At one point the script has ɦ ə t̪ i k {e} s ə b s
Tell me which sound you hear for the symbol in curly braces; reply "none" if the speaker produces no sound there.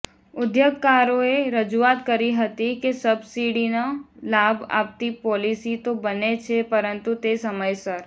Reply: e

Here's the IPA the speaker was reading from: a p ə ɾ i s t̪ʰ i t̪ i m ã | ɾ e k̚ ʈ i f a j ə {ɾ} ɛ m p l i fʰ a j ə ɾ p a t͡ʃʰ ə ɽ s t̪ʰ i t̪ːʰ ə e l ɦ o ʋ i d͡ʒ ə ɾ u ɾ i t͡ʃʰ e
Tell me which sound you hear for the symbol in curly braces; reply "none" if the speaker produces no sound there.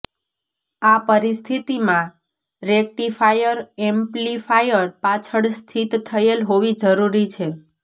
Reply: ɾ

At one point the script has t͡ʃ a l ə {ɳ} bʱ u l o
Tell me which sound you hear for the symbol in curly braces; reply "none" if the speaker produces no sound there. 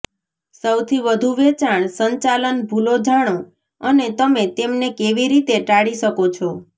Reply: n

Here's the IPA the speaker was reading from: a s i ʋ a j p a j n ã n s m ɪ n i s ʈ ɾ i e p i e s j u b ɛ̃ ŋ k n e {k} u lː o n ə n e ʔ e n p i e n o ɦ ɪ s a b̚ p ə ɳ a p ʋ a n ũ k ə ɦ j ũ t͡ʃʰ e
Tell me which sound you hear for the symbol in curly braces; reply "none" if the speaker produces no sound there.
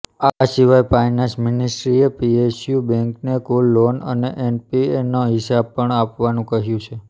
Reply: k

